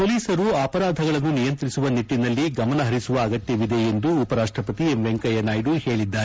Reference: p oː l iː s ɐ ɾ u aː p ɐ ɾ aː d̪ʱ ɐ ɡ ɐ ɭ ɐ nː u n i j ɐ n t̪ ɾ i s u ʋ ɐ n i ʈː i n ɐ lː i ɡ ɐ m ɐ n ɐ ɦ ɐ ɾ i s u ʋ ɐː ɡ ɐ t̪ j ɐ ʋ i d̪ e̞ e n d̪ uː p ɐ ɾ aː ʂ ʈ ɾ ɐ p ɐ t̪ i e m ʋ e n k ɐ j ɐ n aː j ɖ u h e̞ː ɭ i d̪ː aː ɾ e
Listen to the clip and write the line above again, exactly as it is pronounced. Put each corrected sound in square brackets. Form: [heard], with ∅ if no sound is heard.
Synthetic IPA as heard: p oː l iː s ɐ ɾ u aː p ɐ ɾ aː d̪ʱ ɐ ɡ ɐ ɭ ɐ nː u n i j ɐ n t̪ ɾ i s u ʋ ɐ n i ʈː i n ɐ lː i ɡ ɐ m ɐ n ɐ ɦ ɐ ɾ i s u ʋ ɐː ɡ ɐ t̪ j ɐ ʋ i d̪ e̞ e n d̪ uː p ɐ ɾ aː ʂ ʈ ɾ ɐ p ɐ t̪ i e m ʋ e [ŋ] k ɐ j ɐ n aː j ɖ u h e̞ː ɭ i d̪ː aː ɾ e

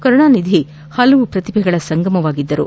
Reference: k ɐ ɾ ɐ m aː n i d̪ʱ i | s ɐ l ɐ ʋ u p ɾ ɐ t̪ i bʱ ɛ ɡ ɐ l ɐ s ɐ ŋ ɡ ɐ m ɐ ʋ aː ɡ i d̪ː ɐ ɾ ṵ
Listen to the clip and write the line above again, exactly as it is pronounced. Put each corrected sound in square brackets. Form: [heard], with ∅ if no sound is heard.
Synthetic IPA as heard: k ɐ ɾ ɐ [ɳ] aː n i d̪ʱ i | [h] ɐ l ɐ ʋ u p ɾ ɐ t̪ i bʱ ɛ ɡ ɐ [ɭ] ɐ s ɐ ŋ ɡ ɐ m ɐ ʋ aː ɡ i d̪ː ɐ ɾ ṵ

